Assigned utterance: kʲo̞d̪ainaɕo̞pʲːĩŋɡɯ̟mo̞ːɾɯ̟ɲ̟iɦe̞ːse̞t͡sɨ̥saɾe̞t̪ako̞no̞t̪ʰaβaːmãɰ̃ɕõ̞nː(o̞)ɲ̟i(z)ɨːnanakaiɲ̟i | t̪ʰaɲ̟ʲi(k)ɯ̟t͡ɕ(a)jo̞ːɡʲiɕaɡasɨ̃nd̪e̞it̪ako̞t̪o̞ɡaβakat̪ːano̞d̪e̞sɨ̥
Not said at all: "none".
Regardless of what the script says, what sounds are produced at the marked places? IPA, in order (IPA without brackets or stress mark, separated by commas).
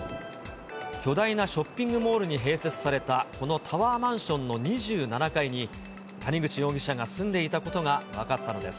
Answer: o̞, ʑ, ɡ, i